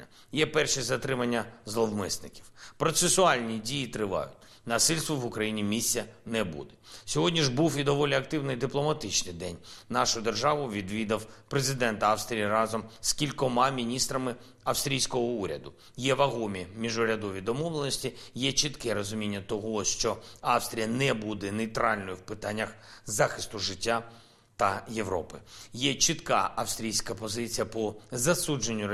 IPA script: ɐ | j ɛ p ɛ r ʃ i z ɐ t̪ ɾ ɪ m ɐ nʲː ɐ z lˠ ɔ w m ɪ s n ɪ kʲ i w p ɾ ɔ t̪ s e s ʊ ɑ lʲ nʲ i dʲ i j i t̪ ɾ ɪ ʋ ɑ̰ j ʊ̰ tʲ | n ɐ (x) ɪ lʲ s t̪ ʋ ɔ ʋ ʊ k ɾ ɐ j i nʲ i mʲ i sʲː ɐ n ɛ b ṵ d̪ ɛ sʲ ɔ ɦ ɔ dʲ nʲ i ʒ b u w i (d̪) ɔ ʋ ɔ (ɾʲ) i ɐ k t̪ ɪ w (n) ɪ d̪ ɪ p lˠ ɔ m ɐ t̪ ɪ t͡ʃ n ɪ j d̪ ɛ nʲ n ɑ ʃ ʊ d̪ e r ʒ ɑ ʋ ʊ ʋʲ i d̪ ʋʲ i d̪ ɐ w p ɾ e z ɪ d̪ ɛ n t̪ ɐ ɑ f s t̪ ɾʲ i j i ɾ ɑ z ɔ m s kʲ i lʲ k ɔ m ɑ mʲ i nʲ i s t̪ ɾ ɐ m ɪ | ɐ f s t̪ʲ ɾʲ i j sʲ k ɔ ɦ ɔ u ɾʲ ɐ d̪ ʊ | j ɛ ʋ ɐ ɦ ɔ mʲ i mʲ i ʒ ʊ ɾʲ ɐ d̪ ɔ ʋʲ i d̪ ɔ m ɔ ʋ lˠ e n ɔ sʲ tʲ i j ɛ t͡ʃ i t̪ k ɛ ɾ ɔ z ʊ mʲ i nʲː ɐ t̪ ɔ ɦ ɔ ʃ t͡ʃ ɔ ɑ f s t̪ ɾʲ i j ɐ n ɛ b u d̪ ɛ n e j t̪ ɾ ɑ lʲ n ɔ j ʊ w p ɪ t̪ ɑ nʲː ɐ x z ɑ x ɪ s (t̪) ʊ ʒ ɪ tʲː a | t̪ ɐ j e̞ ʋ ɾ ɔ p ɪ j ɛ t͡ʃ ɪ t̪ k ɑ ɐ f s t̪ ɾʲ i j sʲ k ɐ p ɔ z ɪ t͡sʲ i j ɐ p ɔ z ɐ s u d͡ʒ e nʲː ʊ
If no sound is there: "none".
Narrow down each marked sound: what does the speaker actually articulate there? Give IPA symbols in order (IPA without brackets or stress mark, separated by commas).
s, d̪, lʲ, n, t̪